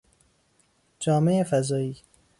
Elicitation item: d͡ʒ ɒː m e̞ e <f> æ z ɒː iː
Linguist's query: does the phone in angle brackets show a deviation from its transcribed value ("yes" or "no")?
no